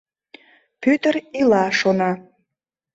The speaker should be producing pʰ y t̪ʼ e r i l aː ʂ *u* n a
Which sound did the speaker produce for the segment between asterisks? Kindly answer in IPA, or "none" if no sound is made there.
o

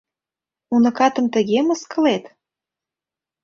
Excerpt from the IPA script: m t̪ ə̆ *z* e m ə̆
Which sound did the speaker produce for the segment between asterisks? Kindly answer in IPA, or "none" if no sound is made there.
ɣ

